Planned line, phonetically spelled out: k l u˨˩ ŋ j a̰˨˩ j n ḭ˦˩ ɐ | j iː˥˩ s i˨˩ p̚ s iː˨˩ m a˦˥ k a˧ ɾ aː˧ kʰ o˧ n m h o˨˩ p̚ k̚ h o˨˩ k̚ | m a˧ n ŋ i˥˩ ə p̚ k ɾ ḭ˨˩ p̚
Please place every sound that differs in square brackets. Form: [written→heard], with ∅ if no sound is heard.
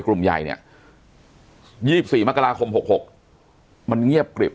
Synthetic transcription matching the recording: k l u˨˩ [ŋ→m] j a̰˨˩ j n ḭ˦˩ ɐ | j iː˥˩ s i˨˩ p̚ s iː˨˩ m a˦˥ k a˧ ɾ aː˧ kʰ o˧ [n→∅] m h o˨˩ [p̚→∅] k̚ h o˨˩ k̚ | m a˧ n ŋ i˥˩ ə p̚ k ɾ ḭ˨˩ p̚